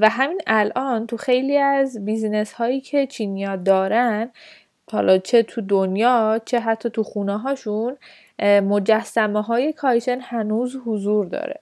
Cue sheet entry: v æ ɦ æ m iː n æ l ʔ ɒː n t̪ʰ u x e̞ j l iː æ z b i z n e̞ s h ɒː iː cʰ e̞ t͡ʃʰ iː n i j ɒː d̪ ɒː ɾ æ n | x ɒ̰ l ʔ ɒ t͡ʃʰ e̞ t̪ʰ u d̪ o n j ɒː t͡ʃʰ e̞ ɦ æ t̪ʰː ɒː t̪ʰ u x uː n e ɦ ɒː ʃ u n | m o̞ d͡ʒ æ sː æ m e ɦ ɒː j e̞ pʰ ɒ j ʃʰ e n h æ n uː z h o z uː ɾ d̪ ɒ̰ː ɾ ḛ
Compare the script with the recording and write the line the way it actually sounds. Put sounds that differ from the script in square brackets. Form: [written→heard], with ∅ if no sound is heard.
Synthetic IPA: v æ ɦ æ m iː n æ l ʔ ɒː n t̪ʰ u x e̞ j l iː æ z b i z n e̞ s h ɒː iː cʰ e̞ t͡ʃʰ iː n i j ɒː d̪ ɒː ɾ æ n | [x→h] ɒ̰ l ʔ ɒ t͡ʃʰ e̞ t̪ʰ u d̪ o n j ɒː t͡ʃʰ e̞ ɦ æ t̪ʰː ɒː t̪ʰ u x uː n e ɦ ɒː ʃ u n | m o̞ d͡ʒ æ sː æ m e ɦ ɒː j e̞ [pʰ→kʰ] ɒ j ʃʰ e n h æ n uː z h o z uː ɾ d̪ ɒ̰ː ɾ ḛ